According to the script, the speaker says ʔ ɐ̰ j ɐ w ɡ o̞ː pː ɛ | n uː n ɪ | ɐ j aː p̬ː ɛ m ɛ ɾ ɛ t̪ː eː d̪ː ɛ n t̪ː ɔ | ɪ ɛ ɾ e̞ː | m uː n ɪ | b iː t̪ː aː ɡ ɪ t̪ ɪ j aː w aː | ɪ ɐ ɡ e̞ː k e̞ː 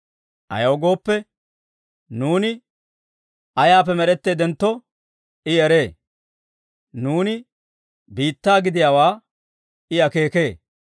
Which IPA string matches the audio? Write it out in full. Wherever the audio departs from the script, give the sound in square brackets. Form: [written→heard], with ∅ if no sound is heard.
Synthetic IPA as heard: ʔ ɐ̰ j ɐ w ɡ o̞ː pː ɛ | n uː n ɪ | ɐ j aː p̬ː ɛ m ɛ ɾ ɛ t̪ː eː [d̪ː→d̪] ɛ n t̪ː ɔ | ɪ ɛ ɾ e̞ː | [m→n] uː n ɪ | b iː t̪ː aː ɡ ɪ [t̪→d̪] ɪ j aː w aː | ɪ ɐ [ɡ→k] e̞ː k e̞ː